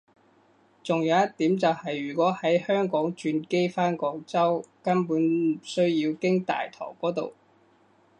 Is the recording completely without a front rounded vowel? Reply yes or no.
no